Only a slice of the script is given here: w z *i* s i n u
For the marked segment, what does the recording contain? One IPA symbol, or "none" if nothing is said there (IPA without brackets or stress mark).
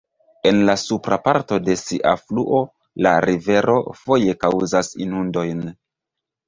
a